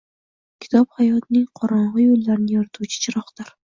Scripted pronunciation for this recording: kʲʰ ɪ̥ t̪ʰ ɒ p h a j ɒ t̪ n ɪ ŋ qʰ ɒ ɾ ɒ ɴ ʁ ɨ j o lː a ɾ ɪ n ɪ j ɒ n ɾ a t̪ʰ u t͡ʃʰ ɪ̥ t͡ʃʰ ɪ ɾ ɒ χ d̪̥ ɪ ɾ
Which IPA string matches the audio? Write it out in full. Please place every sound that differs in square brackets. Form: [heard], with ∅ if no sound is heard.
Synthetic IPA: kʲʰ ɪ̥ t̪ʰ ɒ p h a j ɒ t̪ n ɪ ŋ qʰ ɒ ɾ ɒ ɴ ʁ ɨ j o lː a ɾ ɪ n ɪ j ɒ [∅] ɾ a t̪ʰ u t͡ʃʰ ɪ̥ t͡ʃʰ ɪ ɾ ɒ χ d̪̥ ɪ ɾ